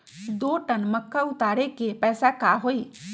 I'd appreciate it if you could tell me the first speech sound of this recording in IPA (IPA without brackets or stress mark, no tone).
d̪